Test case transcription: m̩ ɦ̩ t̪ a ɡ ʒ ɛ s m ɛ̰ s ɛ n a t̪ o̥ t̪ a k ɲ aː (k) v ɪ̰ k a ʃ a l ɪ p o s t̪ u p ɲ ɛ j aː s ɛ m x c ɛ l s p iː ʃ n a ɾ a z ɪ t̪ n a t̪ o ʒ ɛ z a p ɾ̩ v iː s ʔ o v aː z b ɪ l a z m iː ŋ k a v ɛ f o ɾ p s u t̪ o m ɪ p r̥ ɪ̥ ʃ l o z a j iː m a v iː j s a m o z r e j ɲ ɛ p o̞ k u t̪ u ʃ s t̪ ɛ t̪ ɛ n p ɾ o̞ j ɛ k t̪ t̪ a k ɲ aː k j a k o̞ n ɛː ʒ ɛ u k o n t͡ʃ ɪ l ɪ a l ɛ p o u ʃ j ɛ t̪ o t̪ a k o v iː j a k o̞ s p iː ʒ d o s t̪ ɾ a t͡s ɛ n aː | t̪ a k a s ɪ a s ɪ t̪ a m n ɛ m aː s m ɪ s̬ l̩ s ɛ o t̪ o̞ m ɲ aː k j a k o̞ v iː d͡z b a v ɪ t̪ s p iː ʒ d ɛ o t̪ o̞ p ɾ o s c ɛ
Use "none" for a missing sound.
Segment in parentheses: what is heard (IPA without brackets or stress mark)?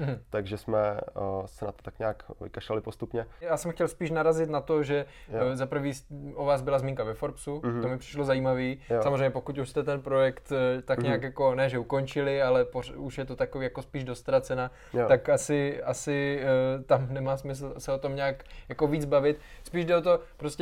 k